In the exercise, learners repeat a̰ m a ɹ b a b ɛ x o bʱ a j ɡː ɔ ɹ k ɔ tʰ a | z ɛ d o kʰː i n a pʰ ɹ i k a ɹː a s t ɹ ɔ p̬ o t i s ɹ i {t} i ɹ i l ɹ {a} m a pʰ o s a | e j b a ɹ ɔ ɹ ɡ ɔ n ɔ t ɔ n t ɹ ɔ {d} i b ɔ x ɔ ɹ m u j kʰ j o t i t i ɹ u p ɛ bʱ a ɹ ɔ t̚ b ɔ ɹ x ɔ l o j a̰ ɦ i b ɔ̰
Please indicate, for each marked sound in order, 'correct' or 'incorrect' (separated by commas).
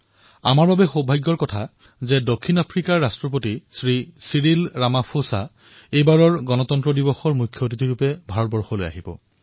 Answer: incorrect, correct, correct